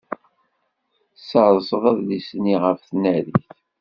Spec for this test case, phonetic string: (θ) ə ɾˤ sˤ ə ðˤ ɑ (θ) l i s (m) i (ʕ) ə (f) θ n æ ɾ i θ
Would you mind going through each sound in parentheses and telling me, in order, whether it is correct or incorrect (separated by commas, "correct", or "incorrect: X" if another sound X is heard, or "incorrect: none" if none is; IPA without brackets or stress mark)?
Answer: incorrect: s, incorrect: ð, incorrect: n, incorrect: ʁ, correct